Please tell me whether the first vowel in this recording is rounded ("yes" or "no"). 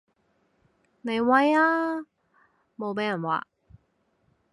no